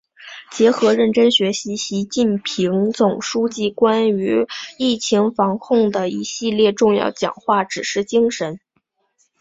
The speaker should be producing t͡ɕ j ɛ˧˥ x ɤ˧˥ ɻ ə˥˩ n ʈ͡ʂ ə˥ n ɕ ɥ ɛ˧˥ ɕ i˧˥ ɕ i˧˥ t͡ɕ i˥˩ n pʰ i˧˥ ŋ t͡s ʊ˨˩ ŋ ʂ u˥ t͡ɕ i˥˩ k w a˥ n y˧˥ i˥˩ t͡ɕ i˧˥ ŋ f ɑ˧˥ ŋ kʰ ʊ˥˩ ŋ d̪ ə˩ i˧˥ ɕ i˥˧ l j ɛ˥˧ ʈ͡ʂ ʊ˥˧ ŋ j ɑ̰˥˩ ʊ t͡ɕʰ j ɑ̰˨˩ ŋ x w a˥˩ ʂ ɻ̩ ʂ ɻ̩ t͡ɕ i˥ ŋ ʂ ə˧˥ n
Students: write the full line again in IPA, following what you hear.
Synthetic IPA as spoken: t͡ɕ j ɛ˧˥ x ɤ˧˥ ɻ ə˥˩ n ʈ͡ʂ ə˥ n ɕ ɥ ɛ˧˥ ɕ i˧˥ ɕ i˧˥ t͡ɕ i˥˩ n pʰ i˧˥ ŋ t͡s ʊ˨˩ ŋ ʂ u˥ t͡ɕ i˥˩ k w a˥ n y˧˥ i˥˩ t͡ɕʰ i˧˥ ŋ f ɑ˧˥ ŋ kʰ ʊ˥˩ ŋ d̪ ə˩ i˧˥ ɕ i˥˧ l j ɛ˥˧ ʈ͡ʂ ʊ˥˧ ŋ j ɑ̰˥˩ ʊ t͡ɕ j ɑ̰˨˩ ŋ x w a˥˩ ʈ͡ʂ ɻ̩ ʂ ɻ̩ t͡ɕ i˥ ŋ ʂ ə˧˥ n